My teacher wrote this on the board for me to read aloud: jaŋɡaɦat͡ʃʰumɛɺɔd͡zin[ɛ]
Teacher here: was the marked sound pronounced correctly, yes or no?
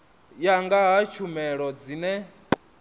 yes